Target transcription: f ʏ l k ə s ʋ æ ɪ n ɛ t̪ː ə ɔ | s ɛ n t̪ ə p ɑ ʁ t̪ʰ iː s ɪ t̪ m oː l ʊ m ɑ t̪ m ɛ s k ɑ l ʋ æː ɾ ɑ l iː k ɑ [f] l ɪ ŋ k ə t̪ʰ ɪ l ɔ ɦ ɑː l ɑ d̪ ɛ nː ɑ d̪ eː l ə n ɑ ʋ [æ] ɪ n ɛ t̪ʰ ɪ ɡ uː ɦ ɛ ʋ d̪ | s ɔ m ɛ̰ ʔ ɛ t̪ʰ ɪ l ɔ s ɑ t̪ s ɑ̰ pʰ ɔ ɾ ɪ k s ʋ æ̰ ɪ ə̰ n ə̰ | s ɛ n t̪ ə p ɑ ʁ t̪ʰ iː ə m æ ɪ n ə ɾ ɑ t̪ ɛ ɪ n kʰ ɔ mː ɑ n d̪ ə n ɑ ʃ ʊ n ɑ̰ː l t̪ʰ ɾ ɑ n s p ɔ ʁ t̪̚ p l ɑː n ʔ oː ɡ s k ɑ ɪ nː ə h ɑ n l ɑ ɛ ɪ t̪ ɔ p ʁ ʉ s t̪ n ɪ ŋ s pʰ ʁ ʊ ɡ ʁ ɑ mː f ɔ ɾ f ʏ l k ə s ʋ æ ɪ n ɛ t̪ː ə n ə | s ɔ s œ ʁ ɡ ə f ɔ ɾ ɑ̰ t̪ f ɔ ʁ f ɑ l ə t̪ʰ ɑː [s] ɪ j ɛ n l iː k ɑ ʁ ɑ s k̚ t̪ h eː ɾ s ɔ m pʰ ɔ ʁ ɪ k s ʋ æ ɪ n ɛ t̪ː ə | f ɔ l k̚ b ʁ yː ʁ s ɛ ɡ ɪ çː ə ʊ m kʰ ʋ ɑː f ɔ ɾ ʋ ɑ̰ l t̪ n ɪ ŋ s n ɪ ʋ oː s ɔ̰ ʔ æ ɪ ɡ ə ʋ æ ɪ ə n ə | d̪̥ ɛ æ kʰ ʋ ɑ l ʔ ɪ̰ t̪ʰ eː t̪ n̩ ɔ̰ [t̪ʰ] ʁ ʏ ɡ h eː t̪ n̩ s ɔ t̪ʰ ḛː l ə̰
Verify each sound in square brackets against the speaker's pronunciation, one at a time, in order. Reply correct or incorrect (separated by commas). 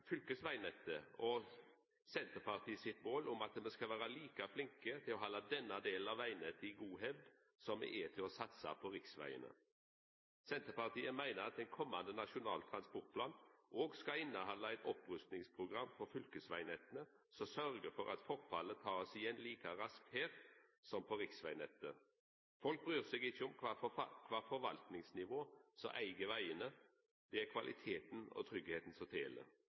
correct, correct, correct, correct